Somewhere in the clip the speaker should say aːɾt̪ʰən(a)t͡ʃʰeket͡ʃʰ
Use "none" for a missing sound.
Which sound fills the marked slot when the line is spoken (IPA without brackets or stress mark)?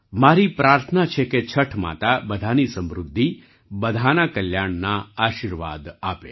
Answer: a